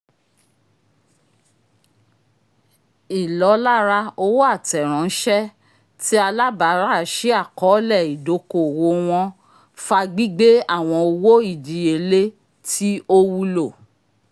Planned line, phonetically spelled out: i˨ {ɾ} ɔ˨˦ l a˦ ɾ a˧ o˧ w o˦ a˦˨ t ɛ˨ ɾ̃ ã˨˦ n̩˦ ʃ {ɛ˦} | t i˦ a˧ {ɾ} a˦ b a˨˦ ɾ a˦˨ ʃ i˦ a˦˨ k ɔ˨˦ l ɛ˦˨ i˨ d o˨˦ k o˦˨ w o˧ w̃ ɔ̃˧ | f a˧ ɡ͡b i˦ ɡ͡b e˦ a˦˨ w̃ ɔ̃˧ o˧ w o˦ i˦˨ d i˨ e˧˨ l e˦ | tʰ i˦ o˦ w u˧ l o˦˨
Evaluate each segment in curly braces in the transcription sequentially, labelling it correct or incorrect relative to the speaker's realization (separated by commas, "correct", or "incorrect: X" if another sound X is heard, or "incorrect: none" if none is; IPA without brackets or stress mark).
incorrect: l, correct, incorrect: l